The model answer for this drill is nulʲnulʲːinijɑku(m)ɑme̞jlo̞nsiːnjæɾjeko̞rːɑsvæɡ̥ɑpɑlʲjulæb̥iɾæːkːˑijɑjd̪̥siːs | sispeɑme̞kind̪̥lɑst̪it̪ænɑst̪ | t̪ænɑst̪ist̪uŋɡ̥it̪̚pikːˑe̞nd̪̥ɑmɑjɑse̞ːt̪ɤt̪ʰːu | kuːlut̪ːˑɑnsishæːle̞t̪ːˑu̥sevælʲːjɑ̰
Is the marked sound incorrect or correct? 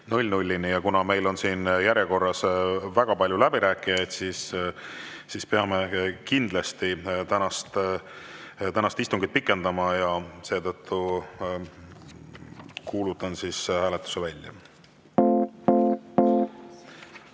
incorrect: n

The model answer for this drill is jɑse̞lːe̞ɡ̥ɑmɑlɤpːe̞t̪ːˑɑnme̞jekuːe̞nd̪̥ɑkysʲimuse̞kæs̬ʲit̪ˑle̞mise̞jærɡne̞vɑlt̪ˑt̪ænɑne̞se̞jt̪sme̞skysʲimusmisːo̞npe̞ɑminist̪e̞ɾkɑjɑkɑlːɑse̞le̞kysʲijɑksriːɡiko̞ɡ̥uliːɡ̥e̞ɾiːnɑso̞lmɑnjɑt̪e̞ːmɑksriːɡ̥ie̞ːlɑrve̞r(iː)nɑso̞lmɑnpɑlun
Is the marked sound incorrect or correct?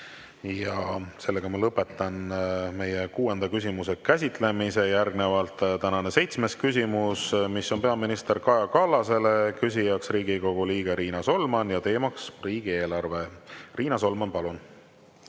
correct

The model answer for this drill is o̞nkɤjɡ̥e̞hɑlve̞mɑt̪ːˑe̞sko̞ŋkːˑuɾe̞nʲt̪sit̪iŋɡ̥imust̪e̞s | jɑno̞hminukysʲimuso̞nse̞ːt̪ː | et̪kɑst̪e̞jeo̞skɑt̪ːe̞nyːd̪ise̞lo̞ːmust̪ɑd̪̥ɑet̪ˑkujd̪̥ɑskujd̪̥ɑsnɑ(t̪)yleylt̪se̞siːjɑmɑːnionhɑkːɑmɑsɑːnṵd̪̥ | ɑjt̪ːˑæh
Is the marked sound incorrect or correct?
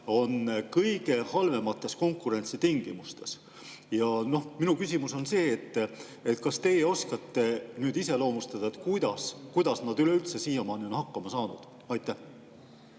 incorrect: d̪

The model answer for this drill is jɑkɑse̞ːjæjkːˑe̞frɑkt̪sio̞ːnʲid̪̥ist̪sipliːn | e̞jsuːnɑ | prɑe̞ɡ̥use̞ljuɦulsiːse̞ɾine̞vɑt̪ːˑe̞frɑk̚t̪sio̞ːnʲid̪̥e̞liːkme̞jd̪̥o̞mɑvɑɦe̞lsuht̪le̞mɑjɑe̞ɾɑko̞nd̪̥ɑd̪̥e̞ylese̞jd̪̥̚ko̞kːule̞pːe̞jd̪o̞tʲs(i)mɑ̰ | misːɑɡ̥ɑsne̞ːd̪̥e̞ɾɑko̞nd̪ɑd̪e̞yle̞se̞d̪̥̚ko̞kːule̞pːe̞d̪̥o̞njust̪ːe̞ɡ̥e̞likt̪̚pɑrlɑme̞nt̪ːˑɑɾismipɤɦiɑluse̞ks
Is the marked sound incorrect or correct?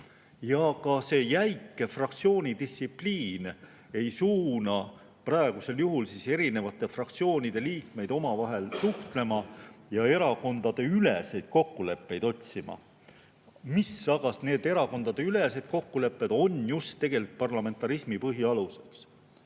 correct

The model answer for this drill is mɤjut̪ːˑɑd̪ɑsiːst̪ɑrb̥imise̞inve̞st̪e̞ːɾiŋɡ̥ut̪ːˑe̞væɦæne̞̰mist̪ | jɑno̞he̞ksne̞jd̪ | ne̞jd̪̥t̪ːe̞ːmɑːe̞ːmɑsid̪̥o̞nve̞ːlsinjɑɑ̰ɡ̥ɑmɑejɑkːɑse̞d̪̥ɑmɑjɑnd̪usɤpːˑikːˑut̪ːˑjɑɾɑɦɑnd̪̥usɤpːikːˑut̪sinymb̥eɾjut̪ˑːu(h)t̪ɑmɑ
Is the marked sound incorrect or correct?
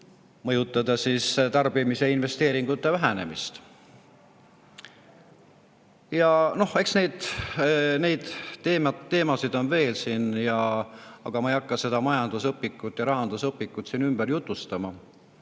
incorrect: s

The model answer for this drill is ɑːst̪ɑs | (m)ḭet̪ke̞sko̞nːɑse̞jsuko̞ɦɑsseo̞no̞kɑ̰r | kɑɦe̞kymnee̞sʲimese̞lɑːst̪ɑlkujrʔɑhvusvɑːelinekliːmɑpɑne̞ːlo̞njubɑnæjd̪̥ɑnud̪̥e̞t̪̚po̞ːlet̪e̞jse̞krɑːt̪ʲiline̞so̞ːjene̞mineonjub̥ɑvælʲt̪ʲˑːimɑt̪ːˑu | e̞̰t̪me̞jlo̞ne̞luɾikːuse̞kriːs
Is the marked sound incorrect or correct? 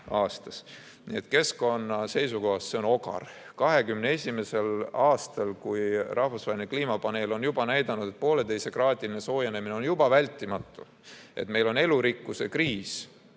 incorrect: n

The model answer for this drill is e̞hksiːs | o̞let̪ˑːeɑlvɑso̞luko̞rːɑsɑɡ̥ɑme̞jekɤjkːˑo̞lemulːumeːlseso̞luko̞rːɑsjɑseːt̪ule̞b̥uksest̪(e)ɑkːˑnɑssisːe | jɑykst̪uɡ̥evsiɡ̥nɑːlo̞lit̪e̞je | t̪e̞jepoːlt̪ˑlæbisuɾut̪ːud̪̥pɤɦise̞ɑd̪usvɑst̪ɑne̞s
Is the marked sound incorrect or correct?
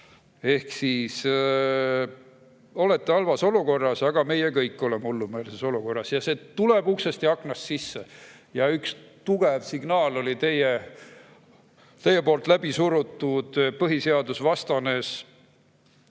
incorrect: i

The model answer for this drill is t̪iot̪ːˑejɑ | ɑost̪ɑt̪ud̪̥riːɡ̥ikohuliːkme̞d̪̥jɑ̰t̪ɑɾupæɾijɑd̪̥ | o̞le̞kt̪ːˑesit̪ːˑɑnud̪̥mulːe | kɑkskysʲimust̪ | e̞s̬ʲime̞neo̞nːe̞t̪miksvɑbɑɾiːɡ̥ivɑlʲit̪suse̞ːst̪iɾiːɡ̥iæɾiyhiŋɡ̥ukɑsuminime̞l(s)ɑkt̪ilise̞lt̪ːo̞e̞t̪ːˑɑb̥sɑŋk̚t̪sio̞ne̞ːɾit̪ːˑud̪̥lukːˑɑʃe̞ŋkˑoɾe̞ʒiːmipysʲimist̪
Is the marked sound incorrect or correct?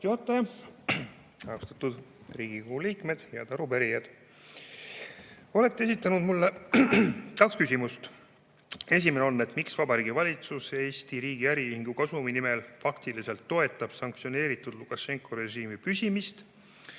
incorrect: f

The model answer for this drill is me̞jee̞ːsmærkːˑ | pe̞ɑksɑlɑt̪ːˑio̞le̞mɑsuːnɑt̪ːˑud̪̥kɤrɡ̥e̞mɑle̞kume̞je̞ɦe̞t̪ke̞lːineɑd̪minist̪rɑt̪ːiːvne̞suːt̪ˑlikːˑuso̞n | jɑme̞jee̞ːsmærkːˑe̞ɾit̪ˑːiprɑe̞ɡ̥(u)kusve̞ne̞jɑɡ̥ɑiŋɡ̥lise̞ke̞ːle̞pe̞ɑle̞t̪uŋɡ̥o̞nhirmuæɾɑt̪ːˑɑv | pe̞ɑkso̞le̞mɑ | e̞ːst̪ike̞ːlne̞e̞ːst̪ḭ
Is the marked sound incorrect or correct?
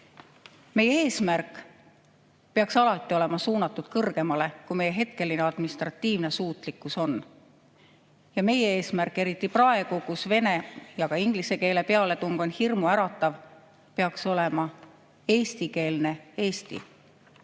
correct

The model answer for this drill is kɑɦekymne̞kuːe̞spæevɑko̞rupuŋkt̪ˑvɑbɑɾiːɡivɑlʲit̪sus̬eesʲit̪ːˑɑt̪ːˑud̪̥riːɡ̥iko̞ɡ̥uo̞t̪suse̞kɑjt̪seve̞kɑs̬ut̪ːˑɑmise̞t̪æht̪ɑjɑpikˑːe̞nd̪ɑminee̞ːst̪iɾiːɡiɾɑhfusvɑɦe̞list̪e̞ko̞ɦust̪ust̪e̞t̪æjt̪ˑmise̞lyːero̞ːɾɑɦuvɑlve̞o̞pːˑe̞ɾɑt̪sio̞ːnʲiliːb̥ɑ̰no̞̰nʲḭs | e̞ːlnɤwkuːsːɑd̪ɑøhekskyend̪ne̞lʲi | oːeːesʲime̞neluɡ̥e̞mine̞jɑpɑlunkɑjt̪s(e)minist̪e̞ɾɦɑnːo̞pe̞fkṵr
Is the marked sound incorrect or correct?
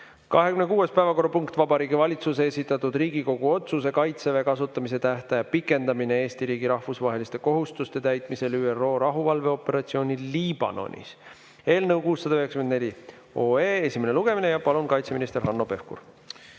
correct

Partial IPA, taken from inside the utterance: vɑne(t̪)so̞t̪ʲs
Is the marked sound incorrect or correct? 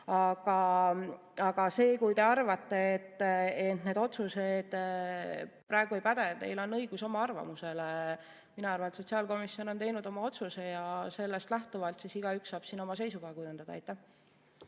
correct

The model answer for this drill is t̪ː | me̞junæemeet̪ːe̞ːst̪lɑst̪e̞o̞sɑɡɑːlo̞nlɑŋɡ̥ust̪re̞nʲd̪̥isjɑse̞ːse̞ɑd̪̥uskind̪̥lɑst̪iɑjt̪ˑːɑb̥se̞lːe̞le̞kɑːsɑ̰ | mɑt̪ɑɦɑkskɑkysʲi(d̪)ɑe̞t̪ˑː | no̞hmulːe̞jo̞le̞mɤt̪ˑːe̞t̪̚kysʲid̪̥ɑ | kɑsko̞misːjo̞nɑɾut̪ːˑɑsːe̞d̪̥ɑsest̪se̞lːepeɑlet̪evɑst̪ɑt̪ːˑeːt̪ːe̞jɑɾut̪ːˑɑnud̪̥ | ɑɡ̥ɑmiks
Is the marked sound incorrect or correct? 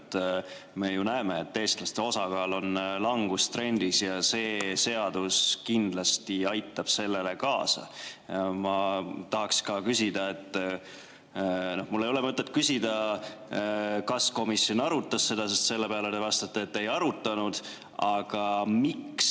correct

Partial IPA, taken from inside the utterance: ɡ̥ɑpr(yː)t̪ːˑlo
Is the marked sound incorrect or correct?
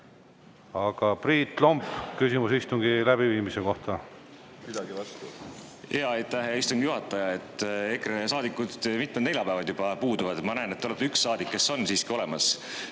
incorrect: iː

